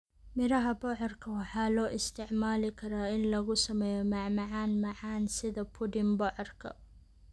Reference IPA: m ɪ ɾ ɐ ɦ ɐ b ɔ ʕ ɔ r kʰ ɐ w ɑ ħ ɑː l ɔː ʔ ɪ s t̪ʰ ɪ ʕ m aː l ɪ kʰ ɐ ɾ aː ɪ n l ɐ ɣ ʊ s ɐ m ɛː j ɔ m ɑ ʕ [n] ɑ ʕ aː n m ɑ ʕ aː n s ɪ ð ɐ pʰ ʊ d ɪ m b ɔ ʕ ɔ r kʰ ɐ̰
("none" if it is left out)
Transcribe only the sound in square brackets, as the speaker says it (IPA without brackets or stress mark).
m